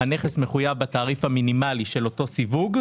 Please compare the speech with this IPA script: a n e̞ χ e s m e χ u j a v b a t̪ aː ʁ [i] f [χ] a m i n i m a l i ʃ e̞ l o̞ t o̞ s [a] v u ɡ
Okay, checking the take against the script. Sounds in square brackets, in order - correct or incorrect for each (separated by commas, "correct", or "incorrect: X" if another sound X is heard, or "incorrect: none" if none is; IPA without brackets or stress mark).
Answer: correct, incorrect: h, incorrect: i